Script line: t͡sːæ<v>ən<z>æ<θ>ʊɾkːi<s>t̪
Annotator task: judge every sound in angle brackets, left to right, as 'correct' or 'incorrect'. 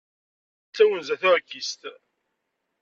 incorrect: w, correct, correct, correct

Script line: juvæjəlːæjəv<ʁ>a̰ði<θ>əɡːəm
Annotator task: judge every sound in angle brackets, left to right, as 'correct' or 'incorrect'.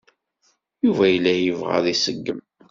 correct, incorrect: s

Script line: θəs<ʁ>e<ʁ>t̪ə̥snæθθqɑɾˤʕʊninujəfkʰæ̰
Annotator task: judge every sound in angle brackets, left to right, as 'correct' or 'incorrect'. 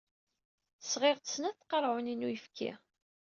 correct, correct

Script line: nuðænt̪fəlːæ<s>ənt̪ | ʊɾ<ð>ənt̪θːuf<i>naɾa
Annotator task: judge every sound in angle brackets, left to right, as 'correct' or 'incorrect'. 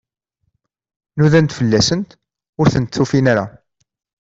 correct, incorrect: θ, correct

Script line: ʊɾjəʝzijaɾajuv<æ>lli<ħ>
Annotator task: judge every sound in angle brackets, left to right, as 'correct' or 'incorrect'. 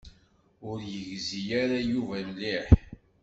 correct, correct

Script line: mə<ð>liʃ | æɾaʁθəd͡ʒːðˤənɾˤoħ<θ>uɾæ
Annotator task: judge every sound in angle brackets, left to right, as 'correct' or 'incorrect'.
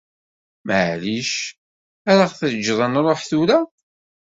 incorrect: ʕ, correct

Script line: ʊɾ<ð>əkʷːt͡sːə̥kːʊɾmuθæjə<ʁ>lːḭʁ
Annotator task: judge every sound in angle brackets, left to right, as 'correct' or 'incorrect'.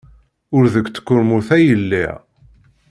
correct, incorrect: none

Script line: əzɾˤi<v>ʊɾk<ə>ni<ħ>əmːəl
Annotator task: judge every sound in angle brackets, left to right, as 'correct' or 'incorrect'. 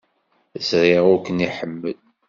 incorrect: ʁ, correct, correct

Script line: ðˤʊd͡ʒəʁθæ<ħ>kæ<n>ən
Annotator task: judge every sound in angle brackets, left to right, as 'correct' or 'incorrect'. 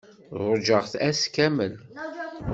incorrect: s, incorrect: m

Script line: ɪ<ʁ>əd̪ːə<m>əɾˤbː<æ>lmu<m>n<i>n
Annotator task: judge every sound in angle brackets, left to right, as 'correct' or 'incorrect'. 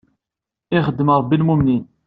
incorrect: χ, correct, incorrect: i, correct, correct

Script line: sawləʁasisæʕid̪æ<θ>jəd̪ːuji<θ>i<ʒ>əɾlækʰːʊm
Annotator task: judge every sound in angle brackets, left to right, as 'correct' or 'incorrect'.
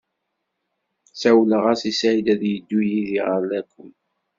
incorrect: ð, incorrect: ð, incorrect: ʁ

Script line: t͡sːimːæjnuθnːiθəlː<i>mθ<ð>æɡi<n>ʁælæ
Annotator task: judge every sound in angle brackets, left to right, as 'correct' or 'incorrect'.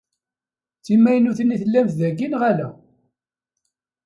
incorrect: æ, correct, correct

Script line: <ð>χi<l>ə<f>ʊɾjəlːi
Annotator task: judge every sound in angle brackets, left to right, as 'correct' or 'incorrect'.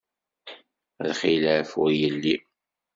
correct, correct, correct

